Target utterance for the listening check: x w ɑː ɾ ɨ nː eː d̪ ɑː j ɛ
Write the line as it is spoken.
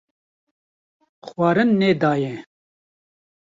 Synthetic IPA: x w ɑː ɾ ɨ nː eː d̪ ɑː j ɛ